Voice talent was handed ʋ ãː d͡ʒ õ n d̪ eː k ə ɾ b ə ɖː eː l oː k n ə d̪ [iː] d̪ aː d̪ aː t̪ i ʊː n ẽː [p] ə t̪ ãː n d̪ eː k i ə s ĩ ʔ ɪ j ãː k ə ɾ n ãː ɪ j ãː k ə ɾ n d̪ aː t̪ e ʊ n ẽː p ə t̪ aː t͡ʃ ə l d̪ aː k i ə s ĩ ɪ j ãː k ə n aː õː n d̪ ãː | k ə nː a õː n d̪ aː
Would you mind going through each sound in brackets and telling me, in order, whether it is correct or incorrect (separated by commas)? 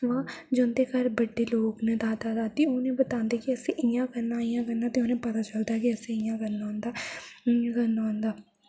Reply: incorrect, incorrect